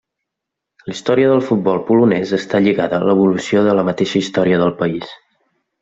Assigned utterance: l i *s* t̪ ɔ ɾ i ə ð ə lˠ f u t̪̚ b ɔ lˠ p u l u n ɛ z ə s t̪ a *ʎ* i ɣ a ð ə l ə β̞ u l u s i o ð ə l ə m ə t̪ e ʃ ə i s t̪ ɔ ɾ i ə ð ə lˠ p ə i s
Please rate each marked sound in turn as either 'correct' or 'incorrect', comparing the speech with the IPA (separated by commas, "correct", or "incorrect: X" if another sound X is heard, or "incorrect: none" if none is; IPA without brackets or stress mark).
correct, correct